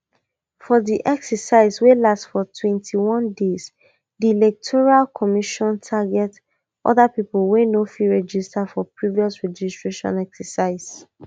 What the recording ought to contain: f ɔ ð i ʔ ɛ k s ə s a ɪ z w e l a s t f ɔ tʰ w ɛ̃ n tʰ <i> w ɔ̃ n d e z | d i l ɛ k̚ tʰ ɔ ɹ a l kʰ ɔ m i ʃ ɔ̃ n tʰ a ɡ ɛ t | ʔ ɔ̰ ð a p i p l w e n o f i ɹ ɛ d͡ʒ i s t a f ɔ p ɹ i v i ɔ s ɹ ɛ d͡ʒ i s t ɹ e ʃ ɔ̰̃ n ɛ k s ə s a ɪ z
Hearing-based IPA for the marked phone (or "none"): i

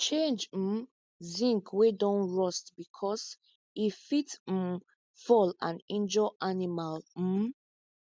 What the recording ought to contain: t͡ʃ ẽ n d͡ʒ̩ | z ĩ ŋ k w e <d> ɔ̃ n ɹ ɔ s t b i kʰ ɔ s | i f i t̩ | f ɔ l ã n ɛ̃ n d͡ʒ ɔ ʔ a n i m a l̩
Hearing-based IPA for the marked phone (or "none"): d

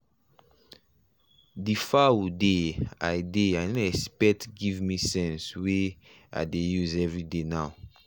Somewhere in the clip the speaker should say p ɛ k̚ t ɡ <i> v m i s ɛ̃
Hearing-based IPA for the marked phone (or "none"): i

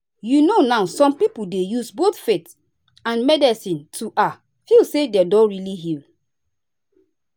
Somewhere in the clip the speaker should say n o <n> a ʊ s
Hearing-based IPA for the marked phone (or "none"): n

